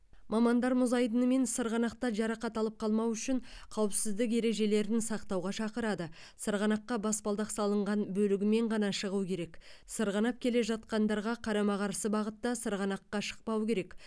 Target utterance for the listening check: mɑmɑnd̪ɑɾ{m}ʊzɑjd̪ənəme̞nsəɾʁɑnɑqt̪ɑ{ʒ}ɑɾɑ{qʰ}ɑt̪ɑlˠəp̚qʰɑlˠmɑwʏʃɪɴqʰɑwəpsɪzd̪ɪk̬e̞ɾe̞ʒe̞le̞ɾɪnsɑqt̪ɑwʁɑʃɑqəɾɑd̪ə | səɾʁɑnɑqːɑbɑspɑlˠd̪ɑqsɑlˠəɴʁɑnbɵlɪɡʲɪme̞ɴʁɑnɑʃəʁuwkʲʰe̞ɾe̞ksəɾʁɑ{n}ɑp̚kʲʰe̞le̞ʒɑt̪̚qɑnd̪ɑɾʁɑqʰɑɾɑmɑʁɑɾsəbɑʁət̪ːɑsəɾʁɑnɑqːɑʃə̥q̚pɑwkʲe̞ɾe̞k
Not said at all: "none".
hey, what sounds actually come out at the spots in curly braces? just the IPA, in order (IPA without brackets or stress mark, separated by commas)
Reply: m, ʒ, q, n